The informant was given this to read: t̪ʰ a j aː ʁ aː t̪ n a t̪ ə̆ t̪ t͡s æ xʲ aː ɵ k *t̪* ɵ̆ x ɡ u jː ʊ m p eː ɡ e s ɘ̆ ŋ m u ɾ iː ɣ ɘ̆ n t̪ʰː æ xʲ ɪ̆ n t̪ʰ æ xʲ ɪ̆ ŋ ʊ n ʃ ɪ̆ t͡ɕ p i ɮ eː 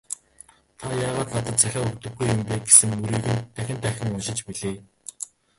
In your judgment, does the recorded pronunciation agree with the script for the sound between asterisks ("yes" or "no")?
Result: yes